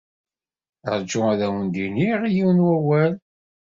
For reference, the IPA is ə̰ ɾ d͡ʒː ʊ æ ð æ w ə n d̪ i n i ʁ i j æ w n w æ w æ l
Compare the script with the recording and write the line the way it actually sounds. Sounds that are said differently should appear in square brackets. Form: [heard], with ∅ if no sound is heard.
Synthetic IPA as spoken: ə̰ ɾ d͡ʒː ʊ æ ð æ w ə n d̪ i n i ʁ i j [i] w n w æ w æ l